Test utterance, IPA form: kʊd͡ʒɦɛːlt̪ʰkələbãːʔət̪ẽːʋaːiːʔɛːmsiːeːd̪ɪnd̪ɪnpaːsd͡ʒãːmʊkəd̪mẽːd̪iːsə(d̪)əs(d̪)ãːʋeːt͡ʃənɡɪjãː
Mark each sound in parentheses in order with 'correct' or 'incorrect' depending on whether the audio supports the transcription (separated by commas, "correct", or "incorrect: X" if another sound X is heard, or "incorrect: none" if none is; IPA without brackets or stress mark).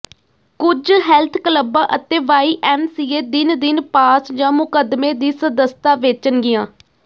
correct, incorrect: t̪